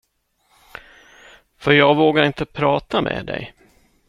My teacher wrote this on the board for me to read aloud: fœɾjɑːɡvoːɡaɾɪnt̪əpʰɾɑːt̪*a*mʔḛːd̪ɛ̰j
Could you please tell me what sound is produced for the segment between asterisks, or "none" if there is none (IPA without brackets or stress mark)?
a